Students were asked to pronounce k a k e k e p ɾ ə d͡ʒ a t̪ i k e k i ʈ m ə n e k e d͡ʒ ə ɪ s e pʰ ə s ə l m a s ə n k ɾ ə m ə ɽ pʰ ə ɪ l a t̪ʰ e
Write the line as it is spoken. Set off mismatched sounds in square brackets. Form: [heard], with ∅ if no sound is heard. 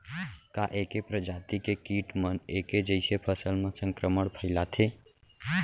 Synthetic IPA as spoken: k a [ʔ] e k e p ɾ ə d͡ʒ a t̪ i k e k i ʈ m ə n e k e d͡ʒ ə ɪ s e pʰ ə s ə l m [e] s ə [ŋ] k ɾ ə m ə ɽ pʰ ə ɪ l a t̪ʰ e

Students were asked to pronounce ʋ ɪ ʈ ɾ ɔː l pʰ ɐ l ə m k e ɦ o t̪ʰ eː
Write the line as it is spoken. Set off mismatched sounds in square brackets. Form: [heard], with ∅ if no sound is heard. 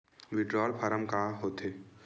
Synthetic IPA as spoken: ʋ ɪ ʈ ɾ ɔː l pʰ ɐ [ɾ] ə m k [a] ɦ o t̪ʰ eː

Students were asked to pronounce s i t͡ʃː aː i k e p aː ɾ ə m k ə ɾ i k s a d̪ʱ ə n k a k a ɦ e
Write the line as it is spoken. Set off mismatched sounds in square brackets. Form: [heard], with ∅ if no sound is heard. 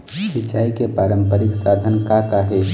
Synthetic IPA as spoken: s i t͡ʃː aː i k e p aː ɾ ə m [p] ə ɾ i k s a d̪ʱ ə n k a k a ɦ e

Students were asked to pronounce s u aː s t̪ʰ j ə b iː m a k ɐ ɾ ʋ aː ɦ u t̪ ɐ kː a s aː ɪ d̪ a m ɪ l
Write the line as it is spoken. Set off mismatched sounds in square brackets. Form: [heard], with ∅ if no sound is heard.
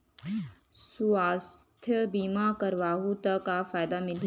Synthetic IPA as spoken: s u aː s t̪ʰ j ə b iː m a k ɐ ɾ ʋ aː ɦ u t̪ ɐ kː a [f] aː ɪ d̪ a m ɪ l

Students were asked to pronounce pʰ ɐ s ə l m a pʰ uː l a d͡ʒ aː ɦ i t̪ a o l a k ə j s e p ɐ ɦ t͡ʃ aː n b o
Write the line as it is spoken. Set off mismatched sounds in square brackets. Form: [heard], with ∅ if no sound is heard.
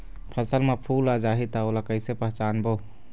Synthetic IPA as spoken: pʰ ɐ s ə l m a pʰ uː l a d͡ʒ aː ɦ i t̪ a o l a k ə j s e p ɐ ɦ t͡ʃ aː n b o

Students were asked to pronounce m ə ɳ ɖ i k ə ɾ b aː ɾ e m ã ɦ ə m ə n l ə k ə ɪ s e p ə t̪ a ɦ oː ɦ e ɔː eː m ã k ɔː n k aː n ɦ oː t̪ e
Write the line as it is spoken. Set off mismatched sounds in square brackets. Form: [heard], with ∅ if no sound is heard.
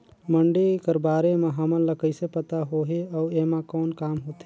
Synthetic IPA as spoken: m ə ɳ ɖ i k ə ɾ b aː ɾ e m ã ɦ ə m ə n l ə k ə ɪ s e p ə t̪ a ɦ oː ɦ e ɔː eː m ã k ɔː n k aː [m] ɦ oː t̪ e

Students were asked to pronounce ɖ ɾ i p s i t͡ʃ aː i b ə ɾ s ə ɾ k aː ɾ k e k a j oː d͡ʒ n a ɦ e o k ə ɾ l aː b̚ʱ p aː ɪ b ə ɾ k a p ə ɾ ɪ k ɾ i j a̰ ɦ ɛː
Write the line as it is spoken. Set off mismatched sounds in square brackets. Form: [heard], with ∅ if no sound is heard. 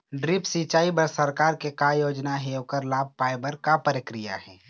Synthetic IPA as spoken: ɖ ɾ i p s i t͡ʃ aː i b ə ɾ s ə ɾ k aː ɾ k e k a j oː d͡ʒ n a ɦ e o k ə ɾ l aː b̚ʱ p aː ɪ b ə ɾ k a p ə ɾ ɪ k ɾ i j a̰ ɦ ɛː

